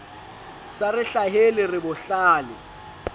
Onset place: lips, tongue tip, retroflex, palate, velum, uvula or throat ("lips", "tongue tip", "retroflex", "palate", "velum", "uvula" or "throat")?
tongue tip